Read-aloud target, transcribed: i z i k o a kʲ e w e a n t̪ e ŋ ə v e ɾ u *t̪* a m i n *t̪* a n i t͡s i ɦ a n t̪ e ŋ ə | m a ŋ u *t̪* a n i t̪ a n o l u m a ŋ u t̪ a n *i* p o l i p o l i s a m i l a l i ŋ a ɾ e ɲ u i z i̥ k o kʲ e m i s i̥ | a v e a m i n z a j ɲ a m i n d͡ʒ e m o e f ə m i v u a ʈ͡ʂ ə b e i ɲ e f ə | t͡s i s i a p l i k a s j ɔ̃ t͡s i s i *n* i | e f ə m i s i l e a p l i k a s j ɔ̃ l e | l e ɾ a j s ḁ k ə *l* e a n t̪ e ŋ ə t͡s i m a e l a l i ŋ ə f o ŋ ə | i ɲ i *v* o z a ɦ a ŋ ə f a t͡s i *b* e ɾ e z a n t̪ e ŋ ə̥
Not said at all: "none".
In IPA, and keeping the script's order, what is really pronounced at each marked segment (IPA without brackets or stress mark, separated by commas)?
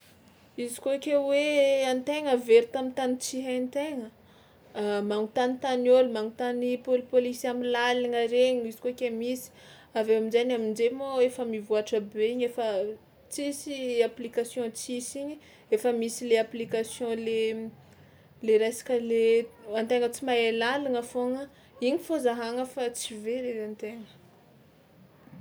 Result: t̪, t̪, t̪, i, ɲ, l, f, v